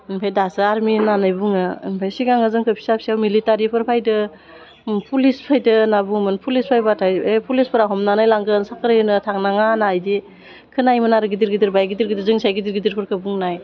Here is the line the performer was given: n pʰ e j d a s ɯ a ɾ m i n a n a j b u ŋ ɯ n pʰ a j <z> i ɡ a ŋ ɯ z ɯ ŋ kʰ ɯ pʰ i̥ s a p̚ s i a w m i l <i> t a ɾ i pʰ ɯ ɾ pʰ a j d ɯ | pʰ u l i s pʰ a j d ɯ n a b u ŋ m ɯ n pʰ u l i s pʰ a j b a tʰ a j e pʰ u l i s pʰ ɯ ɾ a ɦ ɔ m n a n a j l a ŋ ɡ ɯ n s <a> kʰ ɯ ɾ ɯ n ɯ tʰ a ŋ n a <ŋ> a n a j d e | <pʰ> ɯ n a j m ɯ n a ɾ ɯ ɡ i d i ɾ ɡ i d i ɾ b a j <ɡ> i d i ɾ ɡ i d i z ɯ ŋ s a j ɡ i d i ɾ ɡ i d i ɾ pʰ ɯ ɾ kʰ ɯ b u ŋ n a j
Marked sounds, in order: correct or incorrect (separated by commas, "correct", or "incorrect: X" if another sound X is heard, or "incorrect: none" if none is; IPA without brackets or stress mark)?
incorrect: s, correct, correct, correct, incorrect: kʰ, correct